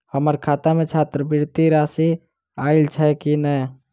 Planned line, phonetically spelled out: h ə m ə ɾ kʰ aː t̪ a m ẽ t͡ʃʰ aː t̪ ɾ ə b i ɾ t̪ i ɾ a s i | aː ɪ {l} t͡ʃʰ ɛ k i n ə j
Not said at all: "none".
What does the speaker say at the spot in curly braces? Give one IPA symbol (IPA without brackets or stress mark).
l